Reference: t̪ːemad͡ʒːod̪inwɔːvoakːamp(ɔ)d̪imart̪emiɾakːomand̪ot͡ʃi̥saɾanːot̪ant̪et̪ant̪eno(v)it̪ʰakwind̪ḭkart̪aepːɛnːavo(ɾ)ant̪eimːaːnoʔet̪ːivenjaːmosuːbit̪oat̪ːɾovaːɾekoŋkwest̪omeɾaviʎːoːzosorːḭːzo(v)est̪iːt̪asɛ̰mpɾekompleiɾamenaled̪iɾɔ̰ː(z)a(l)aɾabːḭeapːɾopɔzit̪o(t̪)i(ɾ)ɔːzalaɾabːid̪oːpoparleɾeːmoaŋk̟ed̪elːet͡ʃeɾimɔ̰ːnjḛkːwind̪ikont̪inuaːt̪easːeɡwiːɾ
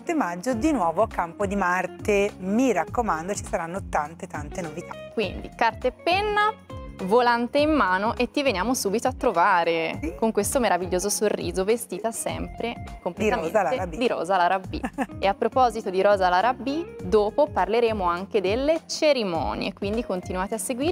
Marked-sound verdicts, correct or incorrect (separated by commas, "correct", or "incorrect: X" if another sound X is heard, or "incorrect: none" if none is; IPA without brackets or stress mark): incorrect: o, correct, incorrect: l, correct, correct, correct, incorrect: d̪, correct